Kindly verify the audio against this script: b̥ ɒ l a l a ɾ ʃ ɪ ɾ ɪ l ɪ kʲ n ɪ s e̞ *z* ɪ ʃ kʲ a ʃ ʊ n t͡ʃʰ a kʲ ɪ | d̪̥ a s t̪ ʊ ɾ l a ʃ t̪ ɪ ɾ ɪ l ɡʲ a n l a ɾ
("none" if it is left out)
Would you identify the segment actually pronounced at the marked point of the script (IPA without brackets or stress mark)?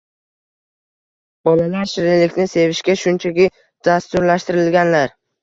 v